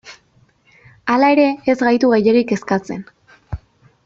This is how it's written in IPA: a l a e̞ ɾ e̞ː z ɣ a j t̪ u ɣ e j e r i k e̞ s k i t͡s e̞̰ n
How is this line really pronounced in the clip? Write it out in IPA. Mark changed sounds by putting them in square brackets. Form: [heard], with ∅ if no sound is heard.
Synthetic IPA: a l a e̞ ɾ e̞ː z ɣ a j t̪ u ɣ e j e [ɾ] i k e̞ s k [a] t͡s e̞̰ n